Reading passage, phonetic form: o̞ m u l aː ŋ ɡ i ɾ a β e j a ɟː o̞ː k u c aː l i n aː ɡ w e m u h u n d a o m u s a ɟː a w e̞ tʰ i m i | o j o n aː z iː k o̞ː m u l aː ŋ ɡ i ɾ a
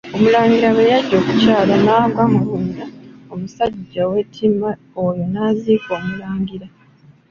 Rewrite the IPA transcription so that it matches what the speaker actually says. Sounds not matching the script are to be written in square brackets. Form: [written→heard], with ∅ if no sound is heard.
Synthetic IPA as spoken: o̞ m u l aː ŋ ɡ i ɾ a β e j a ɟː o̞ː k u c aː l [i→a] n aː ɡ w [e→a] m u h u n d a o m u s a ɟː a w e̞ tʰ i m [i→a] | o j o n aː z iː k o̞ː m u l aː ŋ ɡ i ɾ a